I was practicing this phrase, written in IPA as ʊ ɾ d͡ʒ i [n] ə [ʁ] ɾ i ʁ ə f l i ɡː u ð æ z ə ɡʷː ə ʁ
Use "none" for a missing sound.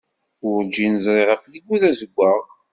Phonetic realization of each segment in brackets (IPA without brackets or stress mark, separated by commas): n, z